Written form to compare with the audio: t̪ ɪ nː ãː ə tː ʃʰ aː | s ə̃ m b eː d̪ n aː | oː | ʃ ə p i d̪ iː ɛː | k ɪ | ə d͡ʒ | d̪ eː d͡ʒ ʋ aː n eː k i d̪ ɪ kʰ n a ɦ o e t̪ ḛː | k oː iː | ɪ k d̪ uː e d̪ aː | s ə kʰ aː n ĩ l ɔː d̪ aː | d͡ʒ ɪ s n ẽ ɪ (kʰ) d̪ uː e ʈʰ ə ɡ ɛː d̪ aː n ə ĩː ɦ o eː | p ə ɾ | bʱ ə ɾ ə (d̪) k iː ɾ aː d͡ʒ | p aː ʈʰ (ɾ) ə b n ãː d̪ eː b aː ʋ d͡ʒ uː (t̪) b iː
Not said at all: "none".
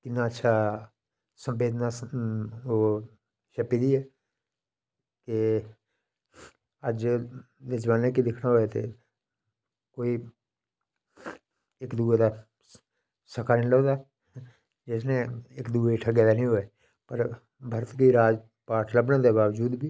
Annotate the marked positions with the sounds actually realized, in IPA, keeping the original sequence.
k, t̪, l, d̪

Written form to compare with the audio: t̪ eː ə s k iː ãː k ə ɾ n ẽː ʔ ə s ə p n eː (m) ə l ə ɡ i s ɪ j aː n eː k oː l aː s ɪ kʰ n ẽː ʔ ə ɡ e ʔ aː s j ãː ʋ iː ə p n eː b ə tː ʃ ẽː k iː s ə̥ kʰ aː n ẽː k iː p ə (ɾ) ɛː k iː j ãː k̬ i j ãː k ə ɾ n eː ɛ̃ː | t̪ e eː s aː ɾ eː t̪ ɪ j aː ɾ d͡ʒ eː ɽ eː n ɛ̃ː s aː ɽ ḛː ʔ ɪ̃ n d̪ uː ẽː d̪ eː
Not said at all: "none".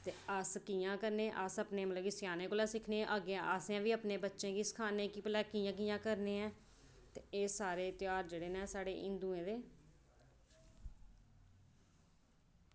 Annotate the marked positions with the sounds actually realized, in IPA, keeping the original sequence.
m, l

